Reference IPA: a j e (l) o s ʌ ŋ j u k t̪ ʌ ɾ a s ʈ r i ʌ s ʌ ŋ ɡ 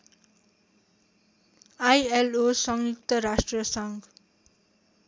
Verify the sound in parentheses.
correct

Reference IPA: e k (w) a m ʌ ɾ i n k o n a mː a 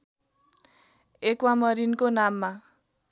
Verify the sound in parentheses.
correct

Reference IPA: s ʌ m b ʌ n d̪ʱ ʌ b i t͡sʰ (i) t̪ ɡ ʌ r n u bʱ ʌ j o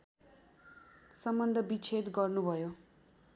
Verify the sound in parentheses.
incorrect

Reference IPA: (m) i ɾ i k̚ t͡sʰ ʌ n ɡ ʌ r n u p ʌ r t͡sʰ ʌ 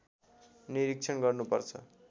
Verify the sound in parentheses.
incorrect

